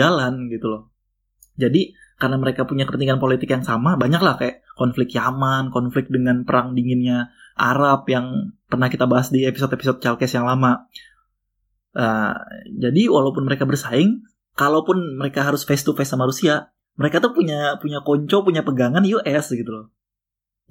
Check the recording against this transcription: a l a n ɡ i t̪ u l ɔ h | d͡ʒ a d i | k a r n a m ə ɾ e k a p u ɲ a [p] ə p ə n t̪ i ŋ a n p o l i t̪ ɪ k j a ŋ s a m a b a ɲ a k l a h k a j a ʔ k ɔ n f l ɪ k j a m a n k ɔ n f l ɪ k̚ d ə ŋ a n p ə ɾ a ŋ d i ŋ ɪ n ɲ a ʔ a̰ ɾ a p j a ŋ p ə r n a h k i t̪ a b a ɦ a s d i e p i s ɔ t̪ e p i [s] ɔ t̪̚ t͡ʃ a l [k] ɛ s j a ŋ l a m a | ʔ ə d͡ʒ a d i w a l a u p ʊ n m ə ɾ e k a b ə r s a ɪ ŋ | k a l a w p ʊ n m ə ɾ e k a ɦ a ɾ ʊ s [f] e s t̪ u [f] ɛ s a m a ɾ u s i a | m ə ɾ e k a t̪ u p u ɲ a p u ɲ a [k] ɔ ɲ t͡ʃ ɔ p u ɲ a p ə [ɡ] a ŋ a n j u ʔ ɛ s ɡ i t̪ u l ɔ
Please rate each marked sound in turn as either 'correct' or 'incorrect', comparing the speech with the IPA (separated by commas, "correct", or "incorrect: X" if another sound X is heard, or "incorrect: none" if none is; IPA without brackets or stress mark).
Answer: incorrect: k, correct, correct, correct, correct, correct, correct